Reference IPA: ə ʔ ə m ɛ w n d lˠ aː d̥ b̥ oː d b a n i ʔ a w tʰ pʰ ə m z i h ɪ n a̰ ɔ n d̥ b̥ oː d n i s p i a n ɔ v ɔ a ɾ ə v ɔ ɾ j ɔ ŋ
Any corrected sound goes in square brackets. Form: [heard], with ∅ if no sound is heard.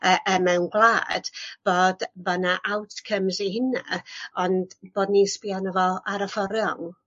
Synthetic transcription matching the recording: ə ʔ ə m ɛ w n [ɡ] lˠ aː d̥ b̥ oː d b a n [a] ʔ a w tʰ [kʰ] ə m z i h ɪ n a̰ ɔ n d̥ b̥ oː d n i s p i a n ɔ v ɔ a ɾ ə [f] ɔ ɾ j ɔ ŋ